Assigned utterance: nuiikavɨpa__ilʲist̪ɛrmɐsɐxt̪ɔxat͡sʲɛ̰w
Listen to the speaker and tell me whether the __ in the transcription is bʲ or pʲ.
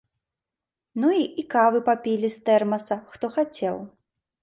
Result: pʲ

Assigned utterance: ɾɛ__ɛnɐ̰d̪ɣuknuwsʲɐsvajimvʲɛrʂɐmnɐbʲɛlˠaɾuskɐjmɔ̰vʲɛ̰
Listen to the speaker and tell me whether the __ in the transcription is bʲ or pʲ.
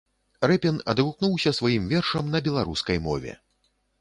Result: pʲ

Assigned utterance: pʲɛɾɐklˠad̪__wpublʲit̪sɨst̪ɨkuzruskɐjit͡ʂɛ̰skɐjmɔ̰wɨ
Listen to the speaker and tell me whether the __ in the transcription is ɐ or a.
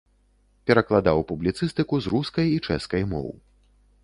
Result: a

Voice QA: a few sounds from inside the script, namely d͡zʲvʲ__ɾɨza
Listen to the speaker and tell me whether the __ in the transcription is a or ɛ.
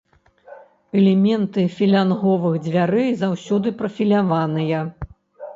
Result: a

